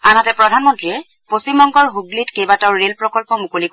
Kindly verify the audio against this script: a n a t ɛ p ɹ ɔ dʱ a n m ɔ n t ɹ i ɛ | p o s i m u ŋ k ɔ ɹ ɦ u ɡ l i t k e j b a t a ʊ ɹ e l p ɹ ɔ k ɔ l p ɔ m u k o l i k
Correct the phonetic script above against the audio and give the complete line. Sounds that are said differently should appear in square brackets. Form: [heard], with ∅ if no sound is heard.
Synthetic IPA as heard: a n a t ɛ p ɹ ɔ dʱ a n m ɔ n t ɹ i ɛ | p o s i m [ɔ] ŋ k ɔ ɹ ɦ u ɡ l i t k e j b a t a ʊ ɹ e l p ɹ ɔ k ɔ l p ɔ m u k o l i k